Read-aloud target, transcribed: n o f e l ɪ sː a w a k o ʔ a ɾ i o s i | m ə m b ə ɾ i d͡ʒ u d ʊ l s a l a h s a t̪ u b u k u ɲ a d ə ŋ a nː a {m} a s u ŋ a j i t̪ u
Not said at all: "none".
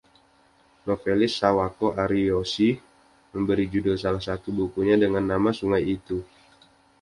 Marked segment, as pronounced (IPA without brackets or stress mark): m